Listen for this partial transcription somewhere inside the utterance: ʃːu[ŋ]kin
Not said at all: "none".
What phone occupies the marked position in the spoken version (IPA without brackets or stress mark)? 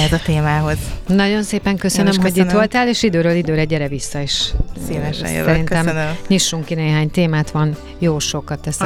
ŋ